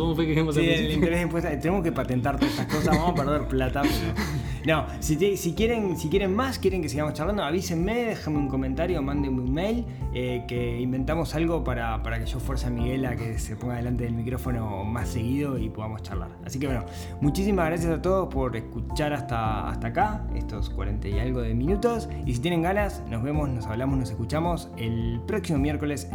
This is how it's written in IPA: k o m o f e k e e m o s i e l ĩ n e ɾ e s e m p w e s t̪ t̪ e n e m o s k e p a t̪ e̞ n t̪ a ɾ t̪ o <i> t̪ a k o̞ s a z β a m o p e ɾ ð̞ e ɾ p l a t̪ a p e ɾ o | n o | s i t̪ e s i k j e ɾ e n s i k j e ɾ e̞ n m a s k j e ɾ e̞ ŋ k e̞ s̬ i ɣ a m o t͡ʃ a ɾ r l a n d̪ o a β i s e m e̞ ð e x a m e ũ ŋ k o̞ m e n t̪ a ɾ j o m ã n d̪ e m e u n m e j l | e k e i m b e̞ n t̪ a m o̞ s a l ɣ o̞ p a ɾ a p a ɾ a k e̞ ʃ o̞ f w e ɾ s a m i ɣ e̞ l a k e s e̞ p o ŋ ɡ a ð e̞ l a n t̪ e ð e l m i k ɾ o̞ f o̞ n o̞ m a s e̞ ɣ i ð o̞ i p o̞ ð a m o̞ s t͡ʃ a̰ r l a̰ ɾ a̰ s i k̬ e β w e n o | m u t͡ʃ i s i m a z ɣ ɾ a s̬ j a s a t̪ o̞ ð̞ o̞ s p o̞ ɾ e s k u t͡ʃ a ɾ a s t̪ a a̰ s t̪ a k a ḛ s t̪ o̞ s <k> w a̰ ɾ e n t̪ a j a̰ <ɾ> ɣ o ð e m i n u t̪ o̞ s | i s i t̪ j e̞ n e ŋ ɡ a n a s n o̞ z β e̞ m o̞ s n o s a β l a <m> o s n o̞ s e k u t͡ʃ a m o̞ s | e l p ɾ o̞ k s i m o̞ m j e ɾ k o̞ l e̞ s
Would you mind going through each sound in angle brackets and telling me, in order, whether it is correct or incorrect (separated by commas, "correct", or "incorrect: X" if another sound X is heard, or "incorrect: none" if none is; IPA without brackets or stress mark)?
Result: incorrect: e, correct, incorrect: l, correct